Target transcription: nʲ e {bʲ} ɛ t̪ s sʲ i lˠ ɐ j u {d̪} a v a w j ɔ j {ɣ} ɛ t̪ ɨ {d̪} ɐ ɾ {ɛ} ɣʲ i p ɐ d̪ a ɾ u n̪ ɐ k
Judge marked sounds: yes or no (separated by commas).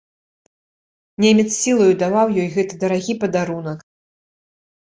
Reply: no, yes, yes, yes, no